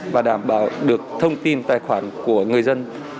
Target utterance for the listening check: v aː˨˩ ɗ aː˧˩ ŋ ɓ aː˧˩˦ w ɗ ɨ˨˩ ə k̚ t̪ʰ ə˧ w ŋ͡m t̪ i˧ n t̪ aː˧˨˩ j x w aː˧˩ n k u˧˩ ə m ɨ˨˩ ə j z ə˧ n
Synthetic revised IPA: v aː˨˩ ɗ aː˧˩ m ɓ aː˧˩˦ w ɗ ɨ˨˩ ə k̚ t̪ʰ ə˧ w ŋ͡m t̪ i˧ n t̪ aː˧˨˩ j x w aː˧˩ n k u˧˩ ə ŋ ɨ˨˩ ə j z ə˧ n